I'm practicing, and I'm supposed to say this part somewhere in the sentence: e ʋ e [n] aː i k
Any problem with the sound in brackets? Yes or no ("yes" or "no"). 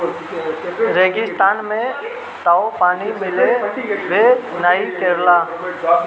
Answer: no